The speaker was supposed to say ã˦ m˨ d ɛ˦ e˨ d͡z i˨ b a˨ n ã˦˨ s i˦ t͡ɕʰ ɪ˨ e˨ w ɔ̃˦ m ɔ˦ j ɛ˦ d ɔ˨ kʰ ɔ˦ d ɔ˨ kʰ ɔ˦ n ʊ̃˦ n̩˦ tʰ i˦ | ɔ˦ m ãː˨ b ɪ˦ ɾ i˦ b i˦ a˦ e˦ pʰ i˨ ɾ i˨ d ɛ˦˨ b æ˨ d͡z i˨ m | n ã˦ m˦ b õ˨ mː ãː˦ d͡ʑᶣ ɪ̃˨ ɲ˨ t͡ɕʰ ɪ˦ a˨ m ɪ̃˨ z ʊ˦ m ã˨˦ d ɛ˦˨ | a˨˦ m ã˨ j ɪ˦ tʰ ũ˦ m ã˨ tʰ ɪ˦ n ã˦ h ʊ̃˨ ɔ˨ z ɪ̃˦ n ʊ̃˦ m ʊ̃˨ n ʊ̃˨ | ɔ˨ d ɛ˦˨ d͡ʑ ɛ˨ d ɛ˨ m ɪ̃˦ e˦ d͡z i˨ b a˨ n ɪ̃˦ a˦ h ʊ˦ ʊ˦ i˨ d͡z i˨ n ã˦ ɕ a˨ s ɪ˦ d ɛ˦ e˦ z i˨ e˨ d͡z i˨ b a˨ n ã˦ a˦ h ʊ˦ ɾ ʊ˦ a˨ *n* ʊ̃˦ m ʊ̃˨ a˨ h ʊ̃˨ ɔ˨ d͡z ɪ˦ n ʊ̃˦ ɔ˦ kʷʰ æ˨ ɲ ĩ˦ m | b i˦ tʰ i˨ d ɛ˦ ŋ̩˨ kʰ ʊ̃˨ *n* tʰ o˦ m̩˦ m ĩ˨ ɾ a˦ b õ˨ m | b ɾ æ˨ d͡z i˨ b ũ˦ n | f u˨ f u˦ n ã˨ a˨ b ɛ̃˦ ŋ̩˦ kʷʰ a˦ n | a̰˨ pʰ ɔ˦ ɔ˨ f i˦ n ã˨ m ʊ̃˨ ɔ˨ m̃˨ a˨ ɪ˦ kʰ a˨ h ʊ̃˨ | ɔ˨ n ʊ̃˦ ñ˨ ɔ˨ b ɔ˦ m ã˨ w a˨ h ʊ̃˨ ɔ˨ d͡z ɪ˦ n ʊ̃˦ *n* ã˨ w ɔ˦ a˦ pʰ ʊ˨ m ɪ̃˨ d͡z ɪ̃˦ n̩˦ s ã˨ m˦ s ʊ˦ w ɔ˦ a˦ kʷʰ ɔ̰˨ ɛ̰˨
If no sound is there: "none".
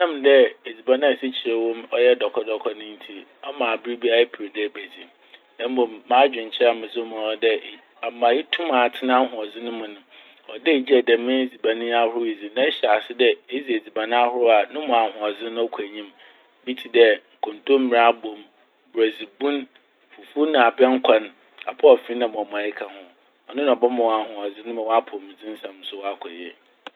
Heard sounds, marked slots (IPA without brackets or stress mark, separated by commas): n, n, m